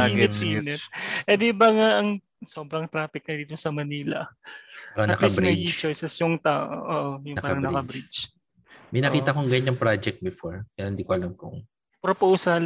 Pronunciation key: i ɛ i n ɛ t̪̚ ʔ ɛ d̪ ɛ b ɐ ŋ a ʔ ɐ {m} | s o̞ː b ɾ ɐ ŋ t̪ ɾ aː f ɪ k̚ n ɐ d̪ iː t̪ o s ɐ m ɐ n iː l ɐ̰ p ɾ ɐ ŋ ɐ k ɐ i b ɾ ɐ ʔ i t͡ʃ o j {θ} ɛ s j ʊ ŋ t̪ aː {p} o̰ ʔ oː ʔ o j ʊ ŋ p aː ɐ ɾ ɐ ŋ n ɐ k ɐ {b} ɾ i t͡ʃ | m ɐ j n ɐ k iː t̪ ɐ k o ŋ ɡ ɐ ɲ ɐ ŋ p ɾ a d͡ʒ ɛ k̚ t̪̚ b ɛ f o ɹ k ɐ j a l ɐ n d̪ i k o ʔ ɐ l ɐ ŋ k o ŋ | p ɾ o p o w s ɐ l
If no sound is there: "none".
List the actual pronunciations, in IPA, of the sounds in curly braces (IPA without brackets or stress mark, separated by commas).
ŋ, s, ʔ, b